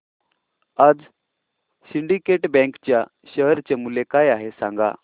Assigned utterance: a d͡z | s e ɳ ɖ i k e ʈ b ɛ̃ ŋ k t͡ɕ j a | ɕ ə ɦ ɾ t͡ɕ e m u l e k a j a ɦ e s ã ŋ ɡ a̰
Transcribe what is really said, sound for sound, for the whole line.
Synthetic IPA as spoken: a d͡z | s i ɳ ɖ i k e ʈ b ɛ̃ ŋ k t͡ɕ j a | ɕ ə ɦ ɾ t͡ɕ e m u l e k a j a ɦ e s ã ŋ ɡ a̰